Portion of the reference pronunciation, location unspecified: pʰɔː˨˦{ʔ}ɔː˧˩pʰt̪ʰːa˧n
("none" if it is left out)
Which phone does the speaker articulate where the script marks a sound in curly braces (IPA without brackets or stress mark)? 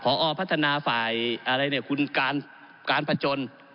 ʔ